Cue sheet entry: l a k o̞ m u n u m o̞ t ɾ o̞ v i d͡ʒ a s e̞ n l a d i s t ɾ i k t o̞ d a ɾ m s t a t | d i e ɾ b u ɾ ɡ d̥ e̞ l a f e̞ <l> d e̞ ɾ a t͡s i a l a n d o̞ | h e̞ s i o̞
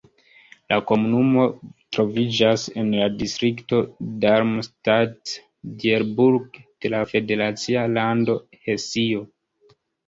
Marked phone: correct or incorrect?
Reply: incorrect